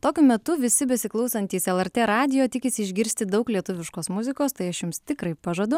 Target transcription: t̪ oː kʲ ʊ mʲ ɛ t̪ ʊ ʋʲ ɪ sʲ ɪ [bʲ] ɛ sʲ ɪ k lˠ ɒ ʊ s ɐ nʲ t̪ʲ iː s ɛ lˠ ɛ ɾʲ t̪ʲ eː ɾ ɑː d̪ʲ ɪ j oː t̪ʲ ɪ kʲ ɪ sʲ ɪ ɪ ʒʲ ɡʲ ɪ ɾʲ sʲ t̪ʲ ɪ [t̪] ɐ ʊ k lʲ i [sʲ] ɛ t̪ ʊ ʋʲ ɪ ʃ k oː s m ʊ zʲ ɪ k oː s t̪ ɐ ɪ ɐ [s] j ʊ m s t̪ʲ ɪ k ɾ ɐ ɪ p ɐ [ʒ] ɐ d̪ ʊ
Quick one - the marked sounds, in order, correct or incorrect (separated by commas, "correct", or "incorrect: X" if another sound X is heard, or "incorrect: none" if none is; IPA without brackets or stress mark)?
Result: correct, incorrect: d̪, incorrect: none, incorrect: ʃ, correct